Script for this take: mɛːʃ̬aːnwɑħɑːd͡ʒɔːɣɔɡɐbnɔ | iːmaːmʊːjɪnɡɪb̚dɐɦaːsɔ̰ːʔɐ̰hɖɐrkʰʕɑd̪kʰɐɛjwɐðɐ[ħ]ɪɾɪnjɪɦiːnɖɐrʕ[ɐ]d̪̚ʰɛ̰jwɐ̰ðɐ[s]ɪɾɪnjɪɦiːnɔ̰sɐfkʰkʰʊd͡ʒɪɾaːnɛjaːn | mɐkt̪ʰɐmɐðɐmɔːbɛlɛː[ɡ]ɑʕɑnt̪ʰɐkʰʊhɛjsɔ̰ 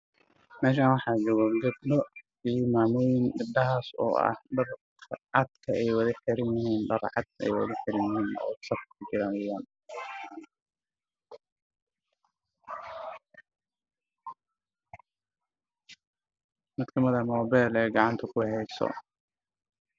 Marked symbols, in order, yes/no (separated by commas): yes, no, no, yes